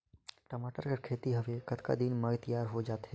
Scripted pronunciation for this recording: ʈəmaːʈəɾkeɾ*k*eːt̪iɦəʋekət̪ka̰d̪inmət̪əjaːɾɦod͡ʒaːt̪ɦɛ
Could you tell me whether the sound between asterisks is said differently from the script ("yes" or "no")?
yes